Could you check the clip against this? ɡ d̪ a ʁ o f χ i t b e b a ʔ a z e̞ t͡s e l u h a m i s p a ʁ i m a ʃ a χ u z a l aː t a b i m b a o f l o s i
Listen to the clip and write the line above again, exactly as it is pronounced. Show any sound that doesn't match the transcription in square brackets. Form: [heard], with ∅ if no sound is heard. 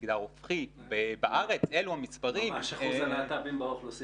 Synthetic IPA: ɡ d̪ a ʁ o f χ i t b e b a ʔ a [ʁ] e̞ t͡s e l u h a m i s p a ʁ i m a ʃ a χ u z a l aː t a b i m b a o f l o s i